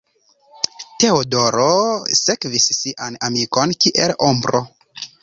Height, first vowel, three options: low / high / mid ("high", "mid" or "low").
mid